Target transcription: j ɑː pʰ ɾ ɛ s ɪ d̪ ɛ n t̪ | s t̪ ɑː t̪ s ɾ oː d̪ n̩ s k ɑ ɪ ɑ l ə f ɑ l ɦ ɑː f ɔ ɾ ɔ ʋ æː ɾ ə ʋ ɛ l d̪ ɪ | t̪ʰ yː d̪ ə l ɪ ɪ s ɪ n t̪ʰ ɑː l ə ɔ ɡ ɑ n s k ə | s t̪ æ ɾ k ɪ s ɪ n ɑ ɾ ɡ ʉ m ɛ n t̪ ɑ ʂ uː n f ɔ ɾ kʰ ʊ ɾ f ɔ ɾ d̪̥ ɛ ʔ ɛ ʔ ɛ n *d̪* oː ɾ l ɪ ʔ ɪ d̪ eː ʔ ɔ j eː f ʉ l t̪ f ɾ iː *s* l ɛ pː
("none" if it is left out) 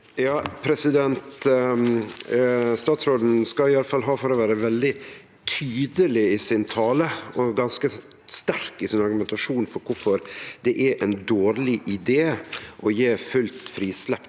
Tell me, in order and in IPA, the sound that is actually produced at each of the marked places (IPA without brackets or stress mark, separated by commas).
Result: d̪, s